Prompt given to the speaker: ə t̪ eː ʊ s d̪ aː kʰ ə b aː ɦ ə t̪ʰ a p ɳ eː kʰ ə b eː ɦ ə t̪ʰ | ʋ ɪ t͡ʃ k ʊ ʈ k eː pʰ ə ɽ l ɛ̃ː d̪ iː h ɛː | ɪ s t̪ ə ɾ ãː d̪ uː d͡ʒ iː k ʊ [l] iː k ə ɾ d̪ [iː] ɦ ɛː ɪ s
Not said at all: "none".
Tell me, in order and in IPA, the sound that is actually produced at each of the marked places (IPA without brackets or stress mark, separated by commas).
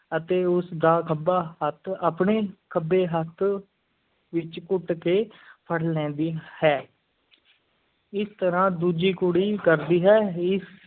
ɽ, iː